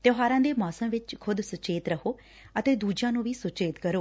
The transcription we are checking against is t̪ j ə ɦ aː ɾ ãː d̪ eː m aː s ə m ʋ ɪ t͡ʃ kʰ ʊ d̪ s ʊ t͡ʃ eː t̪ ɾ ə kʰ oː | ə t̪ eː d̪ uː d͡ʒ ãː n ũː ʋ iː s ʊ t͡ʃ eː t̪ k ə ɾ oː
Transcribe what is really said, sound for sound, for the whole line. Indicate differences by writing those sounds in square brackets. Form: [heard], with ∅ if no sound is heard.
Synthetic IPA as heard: t̪ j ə ɦ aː ɾ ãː d̪ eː m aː s ə m ʋ ɪ t͡ʃ kʰ ʊ d̪ s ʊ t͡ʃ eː t̪ ɾ ə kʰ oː | ə t̪ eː d̪ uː d͡ʒ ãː n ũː ʋ iː s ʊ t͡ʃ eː t̪ k ə ɾ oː